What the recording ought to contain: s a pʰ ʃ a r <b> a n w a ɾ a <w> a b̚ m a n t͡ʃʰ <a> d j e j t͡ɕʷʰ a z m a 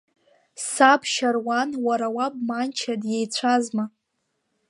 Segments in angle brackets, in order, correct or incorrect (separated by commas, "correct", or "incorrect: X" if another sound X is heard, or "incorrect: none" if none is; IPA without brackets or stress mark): incorrect: w, correct, correct